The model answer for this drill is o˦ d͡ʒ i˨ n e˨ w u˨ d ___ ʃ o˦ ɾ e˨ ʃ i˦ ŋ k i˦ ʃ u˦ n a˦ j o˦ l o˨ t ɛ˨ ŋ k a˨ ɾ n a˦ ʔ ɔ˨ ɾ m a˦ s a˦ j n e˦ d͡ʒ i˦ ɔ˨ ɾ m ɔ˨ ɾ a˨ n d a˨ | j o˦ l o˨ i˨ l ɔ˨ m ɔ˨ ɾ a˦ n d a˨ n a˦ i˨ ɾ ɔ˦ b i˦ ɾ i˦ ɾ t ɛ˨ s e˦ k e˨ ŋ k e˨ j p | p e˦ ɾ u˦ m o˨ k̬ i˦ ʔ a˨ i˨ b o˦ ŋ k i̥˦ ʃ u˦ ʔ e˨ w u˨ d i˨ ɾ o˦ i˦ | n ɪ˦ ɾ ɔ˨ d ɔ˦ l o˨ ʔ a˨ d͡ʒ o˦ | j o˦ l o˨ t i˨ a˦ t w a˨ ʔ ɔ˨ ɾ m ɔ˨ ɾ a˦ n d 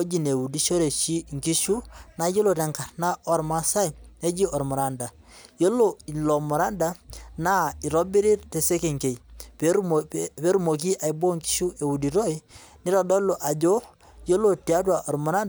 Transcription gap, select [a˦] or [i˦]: i˦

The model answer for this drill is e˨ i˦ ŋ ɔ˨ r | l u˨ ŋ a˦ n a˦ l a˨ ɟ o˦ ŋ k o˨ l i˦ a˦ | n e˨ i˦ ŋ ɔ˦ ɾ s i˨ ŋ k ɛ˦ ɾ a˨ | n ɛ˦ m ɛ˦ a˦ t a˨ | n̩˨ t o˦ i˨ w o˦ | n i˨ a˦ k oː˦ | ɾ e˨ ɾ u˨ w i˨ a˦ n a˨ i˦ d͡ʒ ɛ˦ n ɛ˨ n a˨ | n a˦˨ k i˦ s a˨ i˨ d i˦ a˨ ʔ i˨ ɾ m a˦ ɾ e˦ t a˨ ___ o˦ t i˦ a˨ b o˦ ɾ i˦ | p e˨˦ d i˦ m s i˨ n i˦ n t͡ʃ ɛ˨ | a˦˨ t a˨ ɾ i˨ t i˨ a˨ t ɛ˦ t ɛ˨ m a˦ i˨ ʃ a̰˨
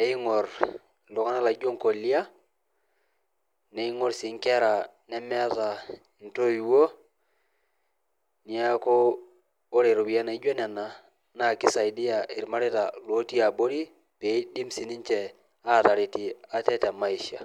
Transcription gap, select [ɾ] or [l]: l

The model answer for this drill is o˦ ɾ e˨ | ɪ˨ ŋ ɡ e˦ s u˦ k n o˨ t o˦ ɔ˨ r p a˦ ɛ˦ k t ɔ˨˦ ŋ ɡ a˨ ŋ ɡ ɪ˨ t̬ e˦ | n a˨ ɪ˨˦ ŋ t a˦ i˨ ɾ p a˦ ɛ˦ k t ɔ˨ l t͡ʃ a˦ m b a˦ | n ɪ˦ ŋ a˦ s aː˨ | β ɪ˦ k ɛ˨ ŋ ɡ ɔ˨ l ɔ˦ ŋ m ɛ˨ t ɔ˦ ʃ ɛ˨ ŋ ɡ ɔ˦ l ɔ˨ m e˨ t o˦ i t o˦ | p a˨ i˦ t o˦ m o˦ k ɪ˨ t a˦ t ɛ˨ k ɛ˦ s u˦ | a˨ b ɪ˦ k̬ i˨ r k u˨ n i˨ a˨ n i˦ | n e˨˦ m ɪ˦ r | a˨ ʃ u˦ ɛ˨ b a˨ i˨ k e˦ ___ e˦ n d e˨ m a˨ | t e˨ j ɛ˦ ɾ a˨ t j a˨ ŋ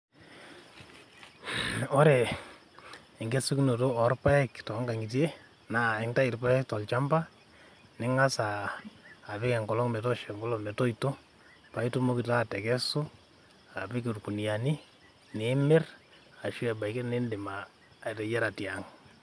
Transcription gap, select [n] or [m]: n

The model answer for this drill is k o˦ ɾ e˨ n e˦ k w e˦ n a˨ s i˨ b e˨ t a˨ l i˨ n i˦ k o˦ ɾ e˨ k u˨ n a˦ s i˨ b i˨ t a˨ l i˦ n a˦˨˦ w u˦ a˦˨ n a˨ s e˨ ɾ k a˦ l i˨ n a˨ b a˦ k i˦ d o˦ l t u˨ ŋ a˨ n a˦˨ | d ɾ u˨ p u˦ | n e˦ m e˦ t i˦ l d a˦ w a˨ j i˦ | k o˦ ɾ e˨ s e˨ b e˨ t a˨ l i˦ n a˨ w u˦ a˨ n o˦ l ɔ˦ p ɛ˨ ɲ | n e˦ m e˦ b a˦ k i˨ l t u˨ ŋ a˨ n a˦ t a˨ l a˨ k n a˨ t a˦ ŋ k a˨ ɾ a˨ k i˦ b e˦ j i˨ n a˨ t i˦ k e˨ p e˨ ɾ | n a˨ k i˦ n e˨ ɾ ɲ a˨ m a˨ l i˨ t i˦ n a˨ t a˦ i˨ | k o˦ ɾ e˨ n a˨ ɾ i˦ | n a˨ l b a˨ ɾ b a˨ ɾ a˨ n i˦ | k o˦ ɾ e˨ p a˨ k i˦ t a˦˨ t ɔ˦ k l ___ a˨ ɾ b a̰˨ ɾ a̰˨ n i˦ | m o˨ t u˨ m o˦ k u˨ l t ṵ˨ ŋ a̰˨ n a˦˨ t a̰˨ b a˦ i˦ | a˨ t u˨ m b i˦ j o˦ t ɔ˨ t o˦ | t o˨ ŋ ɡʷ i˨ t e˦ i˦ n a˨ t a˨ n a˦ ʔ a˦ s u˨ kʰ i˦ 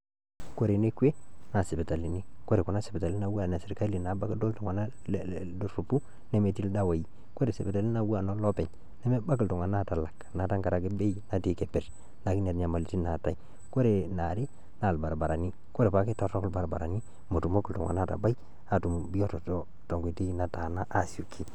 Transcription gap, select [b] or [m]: b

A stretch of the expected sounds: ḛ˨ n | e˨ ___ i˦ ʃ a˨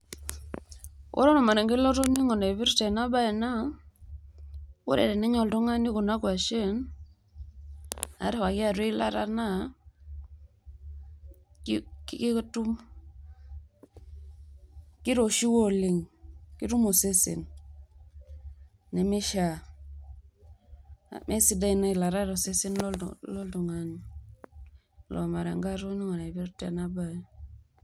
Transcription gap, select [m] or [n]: m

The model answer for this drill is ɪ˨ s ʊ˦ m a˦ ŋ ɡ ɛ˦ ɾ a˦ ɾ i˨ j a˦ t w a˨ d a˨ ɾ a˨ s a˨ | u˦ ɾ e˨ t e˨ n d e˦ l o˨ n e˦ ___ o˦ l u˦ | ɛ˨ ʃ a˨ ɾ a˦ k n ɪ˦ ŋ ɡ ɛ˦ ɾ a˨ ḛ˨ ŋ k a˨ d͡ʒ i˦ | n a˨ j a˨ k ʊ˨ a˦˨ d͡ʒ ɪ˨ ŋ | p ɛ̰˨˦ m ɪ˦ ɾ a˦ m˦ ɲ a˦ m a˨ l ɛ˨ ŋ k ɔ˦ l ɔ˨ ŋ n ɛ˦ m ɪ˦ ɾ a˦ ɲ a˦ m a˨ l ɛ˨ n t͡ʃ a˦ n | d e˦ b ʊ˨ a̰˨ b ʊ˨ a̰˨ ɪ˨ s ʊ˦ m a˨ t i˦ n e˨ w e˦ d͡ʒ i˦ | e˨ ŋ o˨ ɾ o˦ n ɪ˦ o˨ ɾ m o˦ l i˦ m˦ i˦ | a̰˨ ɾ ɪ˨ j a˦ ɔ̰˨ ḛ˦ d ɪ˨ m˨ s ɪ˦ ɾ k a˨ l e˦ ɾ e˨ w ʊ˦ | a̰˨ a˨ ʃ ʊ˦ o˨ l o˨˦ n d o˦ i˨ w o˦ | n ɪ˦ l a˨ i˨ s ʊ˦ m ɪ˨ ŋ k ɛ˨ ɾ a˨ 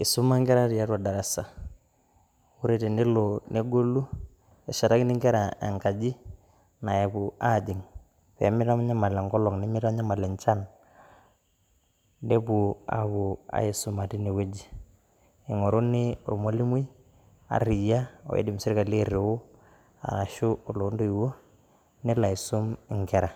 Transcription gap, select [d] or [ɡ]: ɡ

